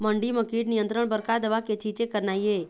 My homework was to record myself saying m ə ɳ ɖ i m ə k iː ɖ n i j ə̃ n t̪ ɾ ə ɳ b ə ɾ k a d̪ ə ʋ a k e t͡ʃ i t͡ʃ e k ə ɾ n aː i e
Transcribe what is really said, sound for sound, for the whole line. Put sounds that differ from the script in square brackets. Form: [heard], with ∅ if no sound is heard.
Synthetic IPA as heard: m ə ɳ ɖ i m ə k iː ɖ n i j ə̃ n t̪ ɾ ə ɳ b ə ɾ k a d̪ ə ʋ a k e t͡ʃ i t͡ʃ e k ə ɾ n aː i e